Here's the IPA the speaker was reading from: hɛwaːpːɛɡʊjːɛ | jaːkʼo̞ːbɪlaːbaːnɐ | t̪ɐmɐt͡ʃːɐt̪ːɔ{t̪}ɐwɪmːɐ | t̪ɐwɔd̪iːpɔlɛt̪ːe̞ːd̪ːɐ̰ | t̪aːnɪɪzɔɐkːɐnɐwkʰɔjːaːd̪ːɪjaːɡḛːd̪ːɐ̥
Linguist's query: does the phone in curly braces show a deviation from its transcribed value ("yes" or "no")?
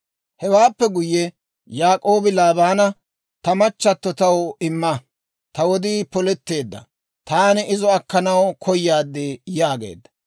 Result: no